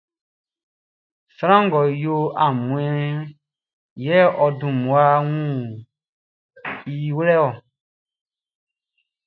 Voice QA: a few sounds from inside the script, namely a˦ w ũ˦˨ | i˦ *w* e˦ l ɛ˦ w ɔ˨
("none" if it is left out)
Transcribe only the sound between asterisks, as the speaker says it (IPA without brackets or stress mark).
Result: w